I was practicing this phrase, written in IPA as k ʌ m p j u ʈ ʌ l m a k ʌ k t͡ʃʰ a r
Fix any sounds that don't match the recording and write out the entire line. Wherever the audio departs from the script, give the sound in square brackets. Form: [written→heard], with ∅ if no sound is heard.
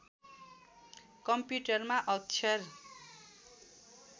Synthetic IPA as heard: k ʌ m p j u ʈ ʌ [l→r] m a [k→ʔ] ʌ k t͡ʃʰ [a→ʌ] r